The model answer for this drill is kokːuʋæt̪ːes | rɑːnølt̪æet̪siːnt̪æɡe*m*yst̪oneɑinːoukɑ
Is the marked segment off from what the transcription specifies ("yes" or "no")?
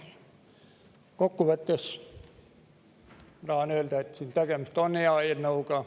no